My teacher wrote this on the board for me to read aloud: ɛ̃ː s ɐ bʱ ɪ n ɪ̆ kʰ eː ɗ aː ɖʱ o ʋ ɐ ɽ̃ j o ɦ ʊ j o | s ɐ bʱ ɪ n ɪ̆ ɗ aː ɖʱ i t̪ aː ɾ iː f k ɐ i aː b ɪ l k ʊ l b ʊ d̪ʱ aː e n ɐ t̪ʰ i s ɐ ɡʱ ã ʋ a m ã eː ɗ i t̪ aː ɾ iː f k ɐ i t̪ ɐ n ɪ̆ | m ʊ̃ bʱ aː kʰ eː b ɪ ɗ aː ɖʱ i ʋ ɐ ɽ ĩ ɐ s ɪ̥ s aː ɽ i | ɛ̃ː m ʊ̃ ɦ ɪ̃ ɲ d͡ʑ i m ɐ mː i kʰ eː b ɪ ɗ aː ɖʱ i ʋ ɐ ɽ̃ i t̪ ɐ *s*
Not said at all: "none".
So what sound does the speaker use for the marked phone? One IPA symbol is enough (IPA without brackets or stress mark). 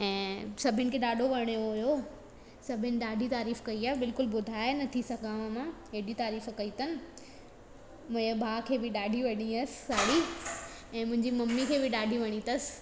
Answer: s